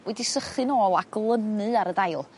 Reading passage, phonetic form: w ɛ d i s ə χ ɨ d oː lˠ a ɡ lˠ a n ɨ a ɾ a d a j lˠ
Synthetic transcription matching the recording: w ɛ d i s ə χ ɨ n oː lˠ a ɡ lˠ ə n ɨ a ɾ ə d a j lˠ